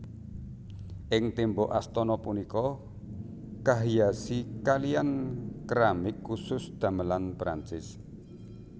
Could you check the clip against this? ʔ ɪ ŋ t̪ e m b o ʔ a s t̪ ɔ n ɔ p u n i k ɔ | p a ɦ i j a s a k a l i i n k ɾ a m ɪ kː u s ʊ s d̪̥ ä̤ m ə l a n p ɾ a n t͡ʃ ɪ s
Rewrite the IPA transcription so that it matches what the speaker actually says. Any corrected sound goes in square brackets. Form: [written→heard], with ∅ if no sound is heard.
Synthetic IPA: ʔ ɪ ŋ t̪ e m b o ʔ a s t̪ ɔ n ɔ p u n i k ɔ | [p→k] a ɦ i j a s [a→i] k a l i [i→a] n k ɾ a m ɪ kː u s ʊ s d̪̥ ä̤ m ə l a n p ɾ a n t͡ʃ ɪ s